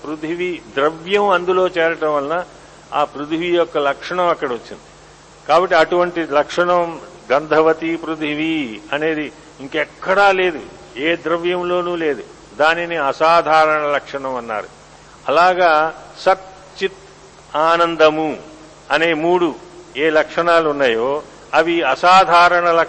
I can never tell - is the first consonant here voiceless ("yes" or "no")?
yes